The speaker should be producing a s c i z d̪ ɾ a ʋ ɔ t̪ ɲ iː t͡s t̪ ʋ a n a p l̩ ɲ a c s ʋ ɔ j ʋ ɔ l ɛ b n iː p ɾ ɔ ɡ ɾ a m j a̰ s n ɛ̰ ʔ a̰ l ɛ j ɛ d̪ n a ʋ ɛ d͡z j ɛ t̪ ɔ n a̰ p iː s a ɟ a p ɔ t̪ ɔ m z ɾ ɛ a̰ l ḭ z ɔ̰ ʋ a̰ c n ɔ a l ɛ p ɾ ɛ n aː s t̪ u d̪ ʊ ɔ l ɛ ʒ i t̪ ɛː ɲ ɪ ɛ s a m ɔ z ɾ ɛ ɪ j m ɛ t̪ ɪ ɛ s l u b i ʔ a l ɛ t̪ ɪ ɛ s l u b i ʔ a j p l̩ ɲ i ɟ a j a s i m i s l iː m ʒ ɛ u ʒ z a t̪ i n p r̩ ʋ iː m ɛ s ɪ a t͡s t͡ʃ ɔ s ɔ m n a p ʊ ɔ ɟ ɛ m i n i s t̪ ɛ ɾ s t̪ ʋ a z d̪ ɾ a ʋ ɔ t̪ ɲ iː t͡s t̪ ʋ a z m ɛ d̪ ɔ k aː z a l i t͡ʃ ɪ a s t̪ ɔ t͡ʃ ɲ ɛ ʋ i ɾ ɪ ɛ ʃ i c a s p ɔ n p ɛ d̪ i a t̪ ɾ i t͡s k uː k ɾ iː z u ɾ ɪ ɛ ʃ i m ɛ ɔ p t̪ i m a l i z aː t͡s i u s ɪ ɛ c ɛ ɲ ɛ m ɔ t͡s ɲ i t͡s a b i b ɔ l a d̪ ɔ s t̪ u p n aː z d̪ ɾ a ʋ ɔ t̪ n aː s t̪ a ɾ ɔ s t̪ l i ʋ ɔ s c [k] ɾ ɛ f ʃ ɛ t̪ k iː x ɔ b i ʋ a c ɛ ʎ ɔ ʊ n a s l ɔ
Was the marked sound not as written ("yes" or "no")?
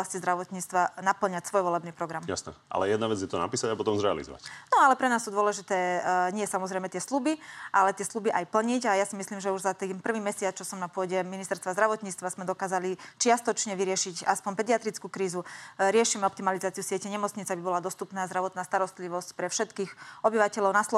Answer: yes